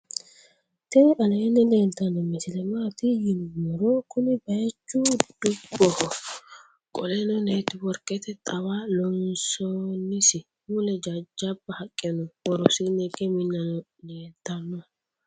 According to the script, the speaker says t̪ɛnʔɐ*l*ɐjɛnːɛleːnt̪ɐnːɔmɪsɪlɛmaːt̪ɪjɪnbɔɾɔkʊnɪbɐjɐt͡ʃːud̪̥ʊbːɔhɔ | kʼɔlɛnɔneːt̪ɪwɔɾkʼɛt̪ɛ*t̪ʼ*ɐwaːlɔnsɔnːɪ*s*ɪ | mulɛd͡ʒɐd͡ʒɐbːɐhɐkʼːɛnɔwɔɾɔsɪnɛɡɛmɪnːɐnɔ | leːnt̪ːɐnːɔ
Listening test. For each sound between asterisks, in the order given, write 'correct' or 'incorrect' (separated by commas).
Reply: correct, correct, correct